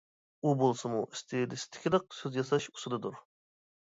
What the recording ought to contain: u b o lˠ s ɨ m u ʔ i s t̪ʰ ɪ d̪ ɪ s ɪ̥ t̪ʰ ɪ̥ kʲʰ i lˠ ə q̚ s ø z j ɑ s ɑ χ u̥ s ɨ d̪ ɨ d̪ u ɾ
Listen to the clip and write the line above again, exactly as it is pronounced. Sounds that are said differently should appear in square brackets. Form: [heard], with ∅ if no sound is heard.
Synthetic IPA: u b o lˠ s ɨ m u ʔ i s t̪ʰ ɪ d̪ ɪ s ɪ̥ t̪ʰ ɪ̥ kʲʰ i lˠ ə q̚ s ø z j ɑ s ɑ [ʃ] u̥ s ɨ d̪ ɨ d̪ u ɾ